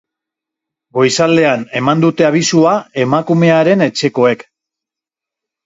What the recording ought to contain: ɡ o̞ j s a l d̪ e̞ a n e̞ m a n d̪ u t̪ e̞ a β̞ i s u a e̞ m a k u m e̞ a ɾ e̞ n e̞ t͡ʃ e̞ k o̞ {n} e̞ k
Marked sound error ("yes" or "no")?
yes